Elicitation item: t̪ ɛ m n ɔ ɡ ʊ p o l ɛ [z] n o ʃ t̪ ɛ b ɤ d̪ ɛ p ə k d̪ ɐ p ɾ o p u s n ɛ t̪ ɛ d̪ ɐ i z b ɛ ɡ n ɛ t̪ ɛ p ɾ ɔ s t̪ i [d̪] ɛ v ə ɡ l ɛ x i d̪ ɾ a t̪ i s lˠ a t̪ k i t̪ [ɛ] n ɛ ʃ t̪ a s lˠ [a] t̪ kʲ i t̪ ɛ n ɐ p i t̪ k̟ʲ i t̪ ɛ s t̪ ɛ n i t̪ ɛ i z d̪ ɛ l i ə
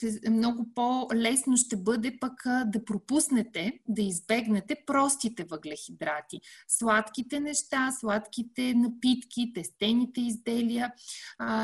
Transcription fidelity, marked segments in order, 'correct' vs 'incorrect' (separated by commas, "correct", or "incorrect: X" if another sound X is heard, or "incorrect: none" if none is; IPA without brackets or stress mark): incorrect: s, incorrect: t̪, correct, correct